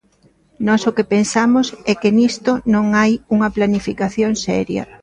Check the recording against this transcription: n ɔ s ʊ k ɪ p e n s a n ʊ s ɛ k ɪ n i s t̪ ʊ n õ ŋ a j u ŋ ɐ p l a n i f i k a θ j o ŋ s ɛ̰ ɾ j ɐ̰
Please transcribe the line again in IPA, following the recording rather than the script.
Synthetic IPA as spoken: n ɔ s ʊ k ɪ p e n s a m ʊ s ɛ k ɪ n i s t̪ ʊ n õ ŋ a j u ŋ ɐ p l a n i f i k a θ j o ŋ s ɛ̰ ɾ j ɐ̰